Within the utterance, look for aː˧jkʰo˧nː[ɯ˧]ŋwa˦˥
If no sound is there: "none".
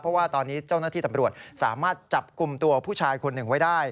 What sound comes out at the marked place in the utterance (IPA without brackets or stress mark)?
ɯ˨˩